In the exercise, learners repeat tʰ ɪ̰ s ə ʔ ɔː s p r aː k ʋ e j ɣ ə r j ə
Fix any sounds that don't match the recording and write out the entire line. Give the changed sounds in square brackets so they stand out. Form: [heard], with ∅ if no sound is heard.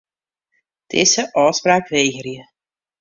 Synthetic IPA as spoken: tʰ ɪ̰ s ə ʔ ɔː s p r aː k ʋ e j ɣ ə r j ə